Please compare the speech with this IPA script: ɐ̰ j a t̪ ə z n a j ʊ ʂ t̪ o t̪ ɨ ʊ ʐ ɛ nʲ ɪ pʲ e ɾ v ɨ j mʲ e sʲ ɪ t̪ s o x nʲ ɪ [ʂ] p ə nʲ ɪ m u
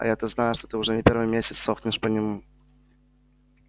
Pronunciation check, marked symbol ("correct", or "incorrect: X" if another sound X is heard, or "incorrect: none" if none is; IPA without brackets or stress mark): correct